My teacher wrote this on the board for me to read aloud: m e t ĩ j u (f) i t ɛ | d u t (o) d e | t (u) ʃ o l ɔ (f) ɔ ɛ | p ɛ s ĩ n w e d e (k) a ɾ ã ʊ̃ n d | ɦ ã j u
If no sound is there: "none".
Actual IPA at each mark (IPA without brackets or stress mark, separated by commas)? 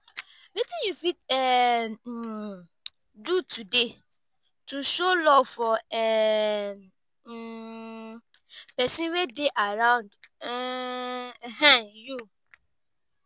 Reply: f, u, u, f, ʔ